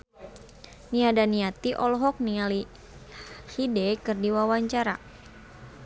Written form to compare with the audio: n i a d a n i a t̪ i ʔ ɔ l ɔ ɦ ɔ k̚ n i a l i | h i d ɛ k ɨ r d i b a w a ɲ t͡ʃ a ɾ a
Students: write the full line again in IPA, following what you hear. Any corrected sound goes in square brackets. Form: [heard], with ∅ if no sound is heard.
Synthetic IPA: n i a d a n i a t̪ i ʔ ɔ l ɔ ɦ ɔ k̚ n i a l i | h i d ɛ k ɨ r d i [w] a w a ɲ t͡ʃ a ɾ a